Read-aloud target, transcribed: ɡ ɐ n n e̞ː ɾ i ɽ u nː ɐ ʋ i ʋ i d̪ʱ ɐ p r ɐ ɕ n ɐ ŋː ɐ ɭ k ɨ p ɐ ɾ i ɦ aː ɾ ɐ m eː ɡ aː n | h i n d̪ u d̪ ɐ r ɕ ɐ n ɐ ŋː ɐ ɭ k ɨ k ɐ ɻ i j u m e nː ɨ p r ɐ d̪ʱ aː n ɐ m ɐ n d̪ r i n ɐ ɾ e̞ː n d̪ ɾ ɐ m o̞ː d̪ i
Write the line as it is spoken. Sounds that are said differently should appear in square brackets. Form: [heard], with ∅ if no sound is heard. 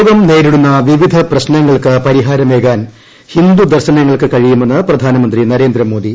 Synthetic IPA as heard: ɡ ɐ [m] n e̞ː ɾ i ɽ u nː ɐ ʋ i ʋ i d̪ʱ ɐ p r ɐ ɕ n ɐ ŋː ɐ ɭ k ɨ p ɐ ɾ i ɦ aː ɾ ɐ m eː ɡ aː n | h i n d̪ u d̪ ɐ r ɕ ɐ n ɐ ŋː ɐ ɭ k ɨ k ɐ ɻ i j u m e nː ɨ p r ɐ d̪ʱ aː n ɐ m ɐ n d̪ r i n ɐ ɾ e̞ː n d̪ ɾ ɐ m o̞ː d̪ i